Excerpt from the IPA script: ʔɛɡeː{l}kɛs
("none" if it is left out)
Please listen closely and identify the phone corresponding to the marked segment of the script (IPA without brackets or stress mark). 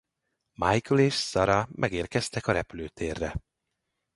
r